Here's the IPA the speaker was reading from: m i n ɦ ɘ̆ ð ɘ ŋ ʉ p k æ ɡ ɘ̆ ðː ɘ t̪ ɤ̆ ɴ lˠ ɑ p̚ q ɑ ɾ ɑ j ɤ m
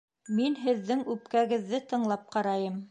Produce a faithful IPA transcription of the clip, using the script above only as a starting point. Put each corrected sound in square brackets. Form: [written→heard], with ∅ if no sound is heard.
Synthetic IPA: m i n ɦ ɘ̆ [ð→ðː] ɘ ŋ ʉ p k æ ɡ ɘ̆ ðː ɘ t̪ ɤ̆ ɴ lˠ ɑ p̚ q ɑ ɾ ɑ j ɤ m